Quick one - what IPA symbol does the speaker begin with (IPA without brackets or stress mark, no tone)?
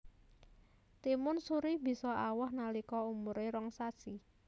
t̪